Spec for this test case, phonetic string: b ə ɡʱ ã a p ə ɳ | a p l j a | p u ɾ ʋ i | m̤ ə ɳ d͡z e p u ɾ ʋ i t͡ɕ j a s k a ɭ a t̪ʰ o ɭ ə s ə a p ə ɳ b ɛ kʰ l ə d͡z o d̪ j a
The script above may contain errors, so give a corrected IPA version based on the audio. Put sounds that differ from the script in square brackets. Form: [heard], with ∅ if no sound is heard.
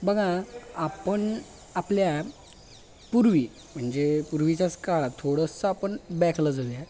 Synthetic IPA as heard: b ə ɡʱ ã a p ə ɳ | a p l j a | p u ɾ ʋ i | m̤ ə ɳ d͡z e p u ɾ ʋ i t͡ɕ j a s k a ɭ a t̪ʰ o [ɽ] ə s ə a p ə ɳ b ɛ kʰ l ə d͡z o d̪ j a